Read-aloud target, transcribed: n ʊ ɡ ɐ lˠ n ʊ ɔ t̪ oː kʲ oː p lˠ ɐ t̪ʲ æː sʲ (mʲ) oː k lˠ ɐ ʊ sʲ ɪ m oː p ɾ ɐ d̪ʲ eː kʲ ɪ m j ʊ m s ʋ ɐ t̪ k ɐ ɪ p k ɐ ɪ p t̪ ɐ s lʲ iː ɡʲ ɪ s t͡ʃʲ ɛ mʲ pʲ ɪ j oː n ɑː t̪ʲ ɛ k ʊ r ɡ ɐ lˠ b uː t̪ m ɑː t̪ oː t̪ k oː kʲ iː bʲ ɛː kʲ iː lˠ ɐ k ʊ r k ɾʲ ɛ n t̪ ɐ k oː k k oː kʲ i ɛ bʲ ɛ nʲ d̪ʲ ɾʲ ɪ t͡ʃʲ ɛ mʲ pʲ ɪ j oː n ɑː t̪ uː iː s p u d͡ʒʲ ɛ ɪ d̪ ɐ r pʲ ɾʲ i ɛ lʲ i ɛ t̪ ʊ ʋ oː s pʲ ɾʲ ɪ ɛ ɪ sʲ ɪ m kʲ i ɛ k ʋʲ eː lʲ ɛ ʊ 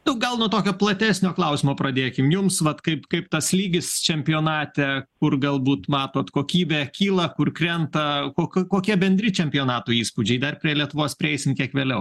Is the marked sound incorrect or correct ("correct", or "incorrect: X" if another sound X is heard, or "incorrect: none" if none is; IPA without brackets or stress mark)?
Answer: incorrect: nʲ